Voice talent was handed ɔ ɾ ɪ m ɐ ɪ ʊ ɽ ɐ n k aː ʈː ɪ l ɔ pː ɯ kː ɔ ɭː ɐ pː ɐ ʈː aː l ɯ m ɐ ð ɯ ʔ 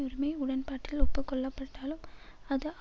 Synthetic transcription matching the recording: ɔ ɾ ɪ m ɐ ɪ ʊ ɽ ɐ n p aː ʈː ɪ l ɔ pː ɯ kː ɔ ɭː ɐ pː ɐ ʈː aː l ɯ m ɐ ð ɯ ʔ

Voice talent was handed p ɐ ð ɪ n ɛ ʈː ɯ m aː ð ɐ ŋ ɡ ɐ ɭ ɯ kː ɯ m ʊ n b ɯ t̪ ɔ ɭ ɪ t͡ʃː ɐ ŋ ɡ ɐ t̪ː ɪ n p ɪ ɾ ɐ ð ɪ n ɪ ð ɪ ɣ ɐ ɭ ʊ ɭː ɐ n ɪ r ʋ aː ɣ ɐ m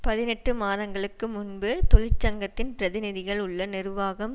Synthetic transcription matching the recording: p ɐ ð ɪ n ɛ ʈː ɯ m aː ð ɐ ŋ ɡ ɐ ɭ ɯ kː ɯ m ʊ n b ɯ t̪ ɔ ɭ ɪ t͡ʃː ɐ ŋ ɡ ɐ t̪ː ɪ n p ɪ ɾ ɐ ð ɪ n ɪ ð ɪ ɣ ɐ ɭ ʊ ɭː ɐ n ɪ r ʋ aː ɣ ɐ m

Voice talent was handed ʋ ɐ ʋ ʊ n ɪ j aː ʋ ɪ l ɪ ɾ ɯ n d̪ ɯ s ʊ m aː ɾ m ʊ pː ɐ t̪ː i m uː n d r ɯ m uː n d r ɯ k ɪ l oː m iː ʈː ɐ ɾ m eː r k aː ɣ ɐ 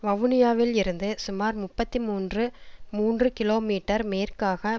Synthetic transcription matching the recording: ʋ ɐ ʋ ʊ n ɪ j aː ʋ ɪ l ɪ ɾ ɯ n d̪ ɯ s ʊ m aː ɾ m ʊ pː ɐ t̪ː i m uː n d r ɯ m uː n d r ɯ k ɪ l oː m iː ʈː ɐ ɾ m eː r k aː ɣ ɐ

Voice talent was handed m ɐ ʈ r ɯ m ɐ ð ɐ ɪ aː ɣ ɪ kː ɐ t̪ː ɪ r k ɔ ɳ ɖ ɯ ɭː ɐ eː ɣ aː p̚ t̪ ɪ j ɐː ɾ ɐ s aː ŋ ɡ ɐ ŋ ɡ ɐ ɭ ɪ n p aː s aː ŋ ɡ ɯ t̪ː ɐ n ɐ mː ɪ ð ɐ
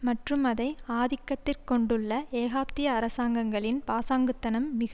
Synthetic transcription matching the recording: m ɐ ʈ r ɯ m ɐ ð ɐ ɪ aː ð ɪ kː ɐ t̪ː ɪ r k ɔ ɳ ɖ ɯ ɭː ɐ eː ɣ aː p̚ t̪ ɪ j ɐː ɾ ɐ s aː ŋ ɡ ɐ ŋ ɡ ɐ ɭ ɪ n p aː s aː ŋ ɡ ɯ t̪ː ɐ n ɐ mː ɪ ɣ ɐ

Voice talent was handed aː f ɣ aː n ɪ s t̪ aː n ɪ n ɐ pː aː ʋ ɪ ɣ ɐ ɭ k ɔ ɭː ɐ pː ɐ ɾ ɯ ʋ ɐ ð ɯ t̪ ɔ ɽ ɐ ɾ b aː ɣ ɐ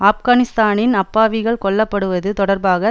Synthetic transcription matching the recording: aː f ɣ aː n ɪ s t̪ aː n ɪ n ɐ pː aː ʋ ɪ ɣ ɐ ɭ k ɔ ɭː ɐ pː ɐ ɽ ɯ ʋ ɐ ð ɯ t̪ ɔ ɽ ɐ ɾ b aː ɣ ɐ

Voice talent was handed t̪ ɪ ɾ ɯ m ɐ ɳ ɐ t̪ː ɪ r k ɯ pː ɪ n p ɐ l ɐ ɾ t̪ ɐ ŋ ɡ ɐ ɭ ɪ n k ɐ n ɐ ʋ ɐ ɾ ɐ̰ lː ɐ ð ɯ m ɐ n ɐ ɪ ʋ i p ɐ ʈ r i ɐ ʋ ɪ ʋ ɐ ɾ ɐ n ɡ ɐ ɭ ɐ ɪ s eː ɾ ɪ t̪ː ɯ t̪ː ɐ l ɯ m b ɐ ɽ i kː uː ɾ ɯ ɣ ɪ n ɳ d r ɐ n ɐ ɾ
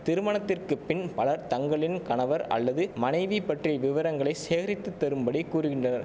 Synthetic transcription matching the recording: t̪ ɪ ɾ ɯ m ɐ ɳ ɐ t̪ː ɪ r k ɯ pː ɪ n p ɐ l ɐ ɾ t̪ ɐ ŋ ɡ ɐ ɭ ɪ n k ɐ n ɐ ʋ ɐ ɾ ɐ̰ lː ɐ ð ɯ m ɐ n ɐ ɪ ʋ i p ɐ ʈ r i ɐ ʋ ɪ ʋ ɐ ɾ ɐ ŋ ɡ ɐ ɭ ɐ ɪ s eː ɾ ɪ t̪ː ɯ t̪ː ɐ ɾ ɯ m b ɐ ɽ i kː uː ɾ ɯ ɣ ɪ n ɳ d r ɐ n ɐ ɾ

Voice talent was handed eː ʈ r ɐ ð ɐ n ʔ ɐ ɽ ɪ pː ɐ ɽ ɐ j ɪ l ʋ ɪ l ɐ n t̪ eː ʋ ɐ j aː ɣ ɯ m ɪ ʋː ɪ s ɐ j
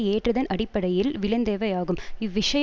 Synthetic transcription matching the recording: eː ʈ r ɐ ð ɐ n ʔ ɐ ɽ ɪ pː ɐ ɽ ɐ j ɪ l ʋ ɪ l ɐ n d̪ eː ʋ ɐ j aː ɣ ɯ m ɪ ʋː ɪ ʂ ɐ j

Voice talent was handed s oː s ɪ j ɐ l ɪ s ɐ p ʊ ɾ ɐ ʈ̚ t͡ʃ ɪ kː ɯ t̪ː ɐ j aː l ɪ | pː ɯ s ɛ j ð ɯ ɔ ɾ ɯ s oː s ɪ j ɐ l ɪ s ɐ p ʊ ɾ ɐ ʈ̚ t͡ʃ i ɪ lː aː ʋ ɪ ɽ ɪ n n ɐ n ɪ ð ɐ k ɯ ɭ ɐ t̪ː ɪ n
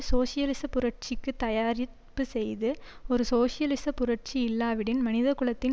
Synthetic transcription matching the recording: s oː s ɪ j ɐ l ɪ s ɐ p ʊ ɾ ɐ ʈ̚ t͡ʃ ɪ kː ɯ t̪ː ɐ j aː ɾ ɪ | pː ɯ s ɛ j ð ɯ ɔ ɾ ɯ s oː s ɪ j ɐ l ɪ s ɐ p ʊ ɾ ɐ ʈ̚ t͡ʃ i ɪ lː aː ʋ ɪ ɽ ɪ n m ɐ n ɪ ð ɐ k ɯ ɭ ɐ t̪ː ɪ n

